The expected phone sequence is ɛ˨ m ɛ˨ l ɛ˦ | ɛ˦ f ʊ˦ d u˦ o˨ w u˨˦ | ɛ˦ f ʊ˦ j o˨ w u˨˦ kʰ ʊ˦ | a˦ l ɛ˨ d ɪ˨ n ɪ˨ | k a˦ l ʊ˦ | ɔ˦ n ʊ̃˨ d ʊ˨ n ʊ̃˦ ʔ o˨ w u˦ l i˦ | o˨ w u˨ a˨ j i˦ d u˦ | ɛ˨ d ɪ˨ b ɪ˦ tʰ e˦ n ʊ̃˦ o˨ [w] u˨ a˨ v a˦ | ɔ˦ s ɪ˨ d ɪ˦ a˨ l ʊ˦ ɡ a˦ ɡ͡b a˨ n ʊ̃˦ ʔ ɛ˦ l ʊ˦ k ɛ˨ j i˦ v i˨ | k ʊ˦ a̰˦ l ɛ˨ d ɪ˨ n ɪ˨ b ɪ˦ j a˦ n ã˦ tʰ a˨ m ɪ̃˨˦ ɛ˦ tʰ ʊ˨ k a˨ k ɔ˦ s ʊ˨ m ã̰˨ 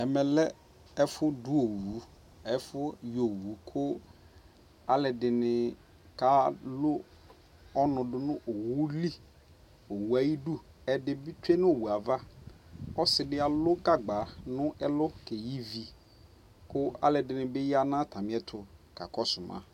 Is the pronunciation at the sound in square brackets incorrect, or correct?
correct